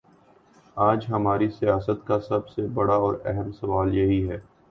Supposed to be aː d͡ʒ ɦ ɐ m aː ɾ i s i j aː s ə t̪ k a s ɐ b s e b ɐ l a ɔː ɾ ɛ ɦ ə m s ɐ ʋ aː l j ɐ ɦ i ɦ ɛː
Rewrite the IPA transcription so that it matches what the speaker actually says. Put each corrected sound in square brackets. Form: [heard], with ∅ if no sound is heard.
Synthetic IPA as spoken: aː d͡ʒ ɦ ɐ m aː ɾ i s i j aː s ə t̪ k a s ɐ b s e b ɐ [ɽ] a ɔː ɾ ɛ ɦ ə m s ɐ ʋ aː l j ɐ ɦ i ɦ ɛː